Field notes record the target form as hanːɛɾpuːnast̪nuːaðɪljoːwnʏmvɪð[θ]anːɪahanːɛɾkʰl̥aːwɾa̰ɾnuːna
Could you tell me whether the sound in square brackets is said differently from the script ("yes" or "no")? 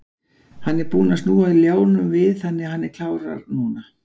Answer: no